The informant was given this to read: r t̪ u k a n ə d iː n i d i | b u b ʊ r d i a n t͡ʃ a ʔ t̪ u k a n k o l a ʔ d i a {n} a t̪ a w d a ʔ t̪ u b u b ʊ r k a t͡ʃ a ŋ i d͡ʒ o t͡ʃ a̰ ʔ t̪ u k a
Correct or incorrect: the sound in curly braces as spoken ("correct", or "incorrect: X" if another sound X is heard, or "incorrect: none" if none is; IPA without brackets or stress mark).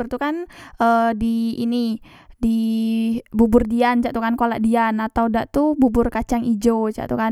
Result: correct